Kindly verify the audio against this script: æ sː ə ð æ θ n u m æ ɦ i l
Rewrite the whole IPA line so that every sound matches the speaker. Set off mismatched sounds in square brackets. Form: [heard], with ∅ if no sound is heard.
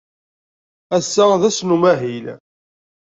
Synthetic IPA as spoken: æ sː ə ð æ [s] n u m æ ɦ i l